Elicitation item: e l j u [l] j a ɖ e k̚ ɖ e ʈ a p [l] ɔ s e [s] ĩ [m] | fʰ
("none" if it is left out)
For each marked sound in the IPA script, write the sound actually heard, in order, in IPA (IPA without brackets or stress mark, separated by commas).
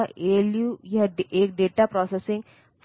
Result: none, ɾ, s, ŋ